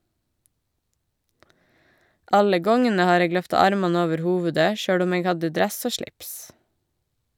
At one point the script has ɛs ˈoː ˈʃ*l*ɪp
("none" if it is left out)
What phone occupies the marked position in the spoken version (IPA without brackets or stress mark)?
ɭ